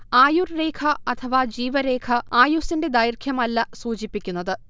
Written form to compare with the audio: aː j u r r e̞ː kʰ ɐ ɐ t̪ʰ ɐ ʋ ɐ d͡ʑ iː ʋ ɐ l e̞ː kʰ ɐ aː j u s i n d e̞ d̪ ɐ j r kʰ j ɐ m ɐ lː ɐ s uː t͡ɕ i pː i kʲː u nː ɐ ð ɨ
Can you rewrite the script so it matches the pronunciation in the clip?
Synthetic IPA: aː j u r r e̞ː kʰ ɐ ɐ t̪ʰ ɐ ʋ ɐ d͡ʑ iː ʋ ɐ ɾ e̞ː kʰ ɐ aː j u s i n d e̞ d̪ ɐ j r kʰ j ɐ m ɐ lː ɐ s uː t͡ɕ i pː i kʲː u nː ɐ ð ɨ